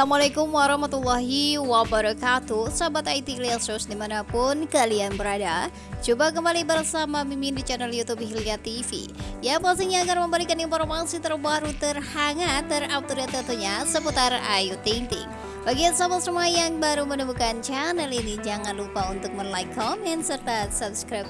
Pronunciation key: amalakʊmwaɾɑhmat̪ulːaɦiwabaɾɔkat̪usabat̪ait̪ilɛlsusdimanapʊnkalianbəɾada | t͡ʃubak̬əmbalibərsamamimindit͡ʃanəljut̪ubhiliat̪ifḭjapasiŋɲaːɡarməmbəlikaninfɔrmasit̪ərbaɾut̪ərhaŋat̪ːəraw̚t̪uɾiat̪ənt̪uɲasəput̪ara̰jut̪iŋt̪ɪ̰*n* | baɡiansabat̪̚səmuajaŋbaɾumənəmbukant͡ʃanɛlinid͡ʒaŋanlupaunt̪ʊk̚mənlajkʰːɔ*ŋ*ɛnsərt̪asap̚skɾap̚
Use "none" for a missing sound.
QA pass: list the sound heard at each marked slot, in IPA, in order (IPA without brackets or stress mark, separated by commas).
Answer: ŋ, m